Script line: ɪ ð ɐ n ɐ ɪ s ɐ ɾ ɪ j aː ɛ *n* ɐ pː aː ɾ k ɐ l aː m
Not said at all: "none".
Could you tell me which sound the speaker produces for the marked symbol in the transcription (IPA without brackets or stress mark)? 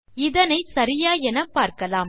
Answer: n